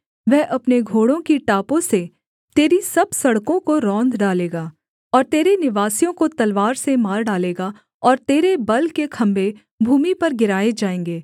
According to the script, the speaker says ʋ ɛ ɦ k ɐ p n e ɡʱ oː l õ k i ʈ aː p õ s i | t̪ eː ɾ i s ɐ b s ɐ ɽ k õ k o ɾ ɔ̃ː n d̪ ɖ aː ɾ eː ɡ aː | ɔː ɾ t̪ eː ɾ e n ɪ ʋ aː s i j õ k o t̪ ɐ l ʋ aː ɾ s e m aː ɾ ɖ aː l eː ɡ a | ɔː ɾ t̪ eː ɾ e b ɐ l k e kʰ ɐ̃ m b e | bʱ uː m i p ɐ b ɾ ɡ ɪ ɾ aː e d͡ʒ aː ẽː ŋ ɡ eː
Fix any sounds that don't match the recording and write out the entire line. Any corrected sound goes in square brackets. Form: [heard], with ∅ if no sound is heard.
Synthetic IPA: ʋ ɛ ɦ [ʔ] ɐ p n e ɡʱ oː [ɽ] õ k i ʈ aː p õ s [e] | t̪ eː ɾ i s ɐ b s ɐ ɽ k õ k o ɾ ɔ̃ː n d̪ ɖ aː [l] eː ɡ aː | ɔː ɾ t̪ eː ɾ e n ɪ ʋ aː s i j õ k o t̪ ɐ l ʋ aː ɾ s e m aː ɾ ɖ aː l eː ɡ a | ɔː ɾ t̪ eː ɾ e b ɐ l k e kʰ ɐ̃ m b e | bʱ uː m i p ɐ [∅] ɾ ɡ ɪ ɾ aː e d͡ʒ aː ẽː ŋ ɡ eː

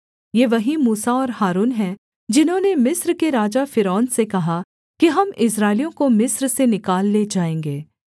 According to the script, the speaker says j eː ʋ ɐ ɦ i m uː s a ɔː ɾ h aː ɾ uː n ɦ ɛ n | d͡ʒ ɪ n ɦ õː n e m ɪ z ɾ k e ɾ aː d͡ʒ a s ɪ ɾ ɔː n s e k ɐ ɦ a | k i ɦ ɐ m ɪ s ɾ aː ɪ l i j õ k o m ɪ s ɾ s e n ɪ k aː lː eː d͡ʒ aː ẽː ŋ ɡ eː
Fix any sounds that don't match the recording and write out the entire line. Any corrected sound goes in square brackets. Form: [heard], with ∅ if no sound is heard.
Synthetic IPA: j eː ʋ ɐ ɦ i m uː s a ɔː ɾ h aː ɾ uː n ɦ ɛ [∅] | d͡ʒ ɪ n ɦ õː n e m ɪ [s] ɾ k e ɾ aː d͡ʒ a [f] ɪ ɾ ɔː n s e k ɐ ɦ a | k i ɦ ɐ m ɪ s ɾ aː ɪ l i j õ k o m ɪ s ɾ s e n ɪ k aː lː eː d͡ʒ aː ẽː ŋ ɡ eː

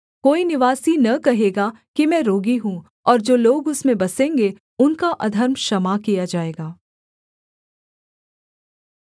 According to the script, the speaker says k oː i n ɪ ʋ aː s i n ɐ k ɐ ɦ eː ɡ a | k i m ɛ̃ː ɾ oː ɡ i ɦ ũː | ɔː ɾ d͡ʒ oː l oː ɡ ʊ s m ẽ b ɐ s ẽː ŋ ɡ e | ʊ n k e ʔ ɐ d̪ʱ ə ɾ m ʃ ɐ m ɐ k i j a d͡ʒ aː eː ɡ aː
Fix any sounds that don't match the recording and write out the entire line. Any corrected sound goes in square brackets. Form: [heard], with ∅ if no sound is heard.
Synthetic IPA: k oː i n ɪ ʋ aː s i n ɐ k ɐ ɦ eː ɡ a | k i m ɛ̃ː ɾ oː ɡ i ɦ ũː | ɔː ɾ d͡ʒ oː l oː ɡ ʊ s m ẽ b ɐ s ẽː ŋ ɡ e | ʊ n k [a] ʔ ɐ d̪ʱ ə ɾ m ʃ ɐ m [a] k i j a d͡ʒ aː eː ɡ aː

